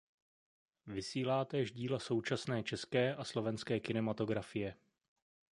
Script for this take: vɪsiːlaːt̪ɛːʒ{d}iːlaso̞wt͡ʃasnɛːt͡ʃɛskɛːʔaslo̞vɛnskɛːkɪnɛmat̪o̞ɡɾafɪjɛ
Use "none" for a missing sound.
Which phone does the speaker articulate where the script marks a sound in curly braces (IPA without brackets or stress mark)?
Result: ɟ